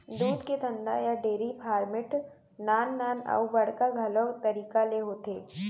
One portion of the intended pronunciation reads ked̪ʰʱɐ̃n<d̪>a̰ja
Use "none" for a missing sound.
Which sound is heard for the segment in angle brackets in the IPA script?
d̪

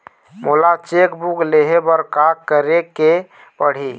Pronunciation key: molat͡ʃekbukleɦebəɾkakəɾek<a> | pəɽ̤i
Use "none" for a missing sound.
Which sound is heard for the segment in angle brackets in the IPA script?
e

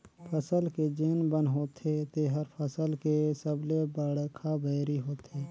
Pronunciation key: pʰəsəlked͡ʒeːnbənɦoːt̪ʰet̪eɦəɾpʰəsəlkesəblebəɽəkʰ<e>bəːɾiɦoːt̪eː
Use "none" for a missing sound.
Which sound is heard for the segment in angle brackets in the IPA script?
a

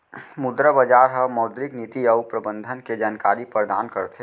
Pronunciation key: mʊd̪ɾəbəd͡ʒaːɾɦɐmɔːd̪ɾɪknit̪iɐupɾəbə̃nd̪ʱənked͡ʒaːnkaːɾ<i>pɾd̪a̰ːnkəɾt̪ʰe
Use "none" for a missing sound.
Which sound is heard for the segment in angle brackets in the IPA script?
i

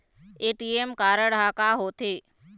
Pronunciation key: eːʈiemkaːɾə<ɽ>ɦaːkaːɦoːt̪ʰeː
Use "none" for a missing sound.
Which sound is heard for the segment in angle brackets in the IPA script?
ɽ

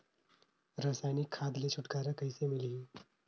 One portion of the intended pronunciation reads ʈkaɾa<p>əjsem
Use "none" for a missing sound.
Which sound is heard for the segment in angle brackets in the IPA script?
k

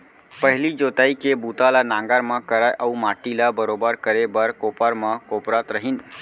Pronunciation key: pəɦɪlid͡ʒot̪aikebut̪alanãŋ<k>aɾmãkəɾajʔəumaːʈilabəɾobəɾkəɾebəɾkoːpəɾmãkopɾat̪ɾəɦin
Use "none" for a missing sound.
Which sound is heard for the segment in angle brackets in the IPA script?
ɡ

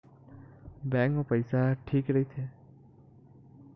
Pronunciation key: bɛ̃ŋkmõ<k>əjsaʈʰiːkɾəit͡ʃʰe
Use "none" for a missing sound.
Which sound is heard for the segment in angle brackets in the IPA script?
p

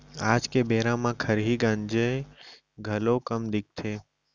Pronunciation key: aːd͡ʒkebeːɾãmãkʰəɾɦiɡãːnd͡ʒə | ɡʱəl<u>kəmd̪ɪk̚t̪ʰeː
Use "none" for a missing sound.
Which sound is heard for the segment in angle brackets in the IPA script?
o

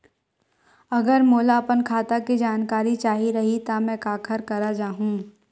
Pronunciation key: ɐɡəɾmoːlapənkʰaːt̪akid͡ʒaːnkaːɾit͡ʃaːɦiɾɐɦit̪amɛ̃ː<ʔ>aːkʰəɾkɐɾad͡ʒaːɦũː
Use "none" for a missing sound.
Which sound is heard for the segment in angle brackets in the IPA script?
k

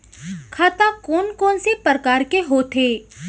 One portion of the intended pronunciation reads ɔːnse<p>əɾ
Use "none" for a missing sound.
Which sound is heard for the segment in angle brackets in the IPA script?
p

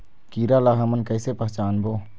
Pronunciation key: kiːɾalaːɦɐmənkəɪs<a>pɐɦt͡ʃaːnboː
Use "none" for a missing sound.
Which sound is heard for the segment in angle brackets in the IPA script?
e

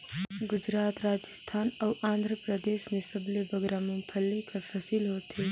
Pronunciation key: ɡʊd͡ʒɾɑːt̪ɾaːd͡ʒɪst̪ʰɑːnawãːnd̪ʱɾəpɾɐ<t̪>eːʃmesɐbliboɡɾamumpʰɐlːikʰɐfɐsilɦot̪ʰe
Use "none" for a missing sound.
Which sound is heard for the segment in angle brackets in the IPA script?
d̪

